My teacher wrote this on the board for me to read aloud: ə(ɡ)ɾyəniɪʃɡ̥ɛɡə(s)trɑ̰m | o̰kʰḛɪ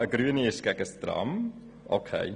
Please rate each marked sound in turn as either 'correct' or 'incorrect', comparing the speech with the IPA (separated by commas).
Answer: correct, correct